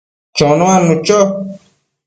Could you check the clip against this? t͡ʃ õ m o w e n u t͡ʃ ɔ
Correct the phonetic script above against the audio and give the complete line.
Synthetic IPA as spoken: t͡ʃ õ n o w a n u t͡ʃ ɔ